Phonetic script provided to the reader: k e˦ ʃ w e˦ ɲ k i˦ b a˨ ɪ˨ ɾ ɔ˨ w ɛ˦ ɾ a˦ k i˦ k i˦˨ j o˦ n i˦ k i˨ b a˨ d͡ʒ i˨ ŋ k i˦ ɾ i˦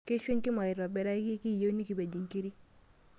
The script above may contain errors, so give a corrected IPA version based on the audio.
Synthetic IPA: k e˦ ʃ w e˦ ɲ k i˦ m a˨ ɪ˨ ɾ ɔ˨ b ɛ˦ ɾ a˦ k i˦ k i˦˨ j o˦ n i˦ k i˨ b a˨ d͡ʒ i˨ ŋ k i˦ ɾ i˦